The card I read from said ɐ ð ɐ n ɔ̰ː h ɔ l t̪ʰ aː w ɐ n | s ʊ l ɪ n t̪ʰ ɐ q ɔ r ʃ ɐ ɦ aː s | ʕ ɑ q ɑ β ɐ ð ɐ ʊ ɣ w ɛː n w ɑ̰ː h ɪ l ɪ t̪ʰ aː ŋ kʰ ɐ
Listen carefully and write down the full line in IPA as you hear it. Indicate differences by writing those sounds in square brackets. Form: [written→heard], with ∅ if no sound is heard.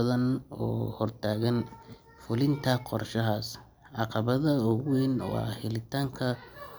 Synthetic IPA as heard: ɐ ð ɐ n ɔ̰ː h ɔ [l→r] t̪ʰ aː [w→ɣ] ɐ n | [s→f] ʊ l ɪ n t̪ʰ ɐ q ɔ r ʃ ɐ ɦ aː s | ʕ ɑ q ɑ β ɐ ð ɐ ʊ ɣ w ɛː n w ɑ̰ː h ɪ l ɪ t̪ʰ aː ŋ kʰ ɐ

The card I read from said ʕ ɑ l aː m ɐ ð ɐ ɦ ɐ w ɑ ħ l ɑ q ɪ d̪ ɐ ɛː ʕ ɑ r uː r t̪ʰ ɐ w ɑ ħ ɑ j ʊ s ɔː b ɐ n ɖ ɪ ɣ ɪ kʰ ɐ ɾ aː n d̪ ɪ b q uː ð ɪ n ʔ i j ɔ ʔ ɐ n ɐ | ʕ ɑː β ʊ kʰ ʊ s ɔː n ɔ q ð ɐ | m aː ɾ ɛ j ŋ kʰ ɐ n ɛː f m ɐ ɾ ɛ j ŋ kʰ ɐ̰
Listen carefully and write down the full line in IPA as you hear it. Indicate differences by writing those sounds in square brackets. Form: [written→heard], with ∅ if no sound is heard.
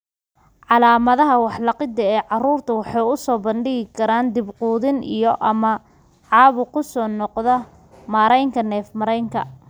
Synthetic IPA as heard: ʕ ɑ l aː m ɐ ð ɐ ɦ ɐ w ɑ ħ l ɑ q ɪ d̪ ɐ ɛː ʕ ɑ r uː r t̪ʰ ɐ w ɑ ħ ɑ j ʊ s ɔː b ɐ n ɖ ɪ ɣ ɪ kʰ ɐ ɾ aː n d̪ ɪ b q uː ð ɪ n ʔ i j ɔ ʔ ɐ [n→m] ɐ | ʕ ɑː β ʊ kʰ ʊ s ɔː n ɔ q ð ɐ | m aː ɾ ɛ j ŋ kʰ ɐ n ɛː f m ɐ ɾ ɛ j ŋ kʰ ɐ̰

